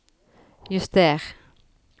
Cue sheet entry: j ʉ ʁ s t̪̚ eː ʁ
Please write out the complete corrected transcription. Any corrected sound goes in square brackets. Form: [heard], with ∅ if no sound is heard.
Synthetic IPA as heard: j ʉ [∅] s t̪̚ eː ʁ